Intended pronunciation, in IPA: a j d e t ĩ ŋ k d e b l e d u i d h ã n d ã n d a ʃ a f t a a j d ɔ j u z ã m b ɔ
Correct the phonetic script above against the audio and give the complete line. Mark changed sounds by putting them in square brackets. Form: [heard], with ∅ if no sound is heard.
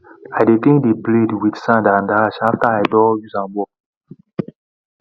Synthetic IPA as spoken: a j d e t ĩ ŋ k d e b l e d [w] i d [s] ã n d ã n d a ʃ a f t a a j d ɔ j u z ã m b ɔ